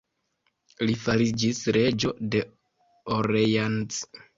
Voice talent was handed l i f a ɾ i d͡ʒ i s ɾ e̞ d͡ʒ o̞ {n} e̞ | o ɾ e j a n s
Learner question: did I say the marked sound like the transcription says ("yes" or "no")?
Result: no